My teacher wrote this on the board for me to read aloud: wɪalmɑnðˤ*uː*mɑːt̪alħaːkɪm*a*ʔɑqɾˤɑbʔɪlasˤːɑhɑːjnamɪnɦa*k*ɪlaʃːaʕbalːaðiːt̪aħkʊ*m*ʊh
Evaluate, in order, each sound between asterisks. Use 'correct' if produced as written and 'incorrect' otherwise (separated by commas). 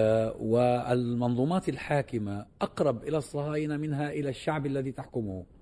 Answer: correct, correct, incorrect, correct